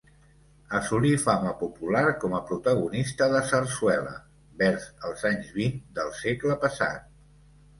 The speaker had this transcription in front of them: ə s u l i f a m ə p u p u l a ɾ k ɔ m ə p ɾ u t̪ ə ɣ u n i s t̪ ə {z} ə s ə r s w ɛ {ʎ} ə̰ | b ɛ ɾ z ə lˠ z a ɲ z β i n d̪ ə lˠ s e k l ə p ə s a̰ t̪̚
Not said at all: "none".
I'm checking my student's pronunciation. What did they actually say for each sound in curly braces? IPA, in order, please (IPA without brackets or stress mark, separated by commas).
ð, l